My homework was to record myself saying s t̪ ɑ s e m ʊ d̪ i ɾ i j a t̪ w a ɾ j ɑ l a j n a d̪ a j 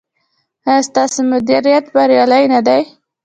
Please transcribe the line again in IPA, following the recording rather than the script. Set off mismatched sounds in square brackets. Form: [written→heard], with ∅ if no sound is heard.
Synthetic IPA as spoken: s t̪ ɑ s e m ʊ d̪ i ɾ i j a t̪ [w→b] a ɾ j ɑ l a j n a d̪ a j